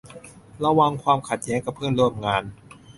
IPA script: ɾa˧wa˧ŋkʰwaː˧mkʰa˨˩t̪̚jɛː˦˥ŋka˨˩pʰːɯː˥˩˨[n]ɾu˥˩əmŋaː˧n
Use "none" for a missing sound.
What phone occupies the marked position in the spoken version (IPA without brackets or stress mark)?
n